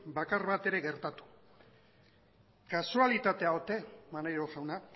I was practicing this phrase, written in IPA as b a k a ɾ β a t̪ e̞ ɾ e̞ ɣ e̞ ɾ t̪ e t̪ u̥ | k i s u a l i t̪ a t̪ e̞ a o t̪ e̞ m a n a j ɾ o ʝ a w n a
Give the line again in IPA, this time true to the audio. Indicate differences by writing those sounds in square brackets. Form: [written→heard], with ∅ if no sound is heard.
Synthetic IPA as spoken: b a k a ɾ β a t̪ e̞ ɾ e̞ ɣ e̞ ɾ t̪ [e→a] t̪ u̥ | k [i→a] s u a l i t̪ a t̪ e̞ a o t̪ e̞ m a n a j ɾ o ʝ a w n a